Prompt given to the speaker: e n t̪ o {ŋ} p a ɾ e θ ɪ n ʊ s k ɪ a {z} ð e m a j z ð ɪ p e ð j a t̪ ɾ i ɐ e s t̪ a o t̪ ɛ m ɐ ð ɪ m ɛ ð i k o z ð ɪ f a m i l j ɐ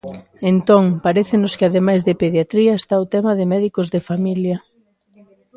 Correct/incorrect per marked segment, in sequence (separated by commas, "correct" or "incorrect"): correct, incorrect